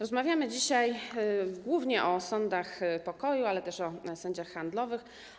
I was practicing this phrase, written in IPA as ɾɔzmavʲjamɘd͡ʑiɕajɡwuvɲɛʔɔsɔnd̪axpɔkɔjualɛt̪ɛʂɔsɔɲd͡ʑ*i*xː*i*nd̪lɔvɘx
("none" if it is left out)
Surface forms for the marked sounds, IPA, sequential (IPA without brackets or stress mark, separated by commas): a, a